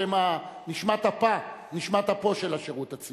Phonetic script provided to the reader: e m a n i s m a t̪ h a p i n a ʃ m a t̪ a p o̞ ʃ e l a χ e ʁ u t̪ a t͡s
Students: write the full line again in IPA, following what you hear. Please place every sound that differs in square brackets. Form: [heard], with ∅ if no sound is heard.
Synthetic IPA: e m a n i [ʃ] m a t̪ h a p [a] n [i] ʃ m a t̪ a p o̞ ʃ e l a [ʃ] e ʁ u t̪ a t͡s